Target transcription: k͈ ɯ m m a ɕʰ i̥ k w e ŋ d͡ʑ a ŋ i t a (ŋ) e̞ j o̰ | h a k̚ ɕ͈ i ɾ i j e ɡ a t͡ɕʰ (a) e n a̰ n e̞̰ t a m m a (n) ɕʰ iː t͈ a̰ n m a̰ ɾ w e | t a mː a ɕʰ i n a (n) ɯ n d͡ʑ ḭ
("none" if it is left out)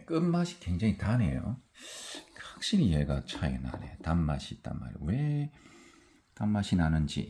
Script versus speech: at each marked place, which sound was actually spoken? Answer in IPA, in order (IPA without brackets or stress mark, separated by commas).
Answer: n, a, none, n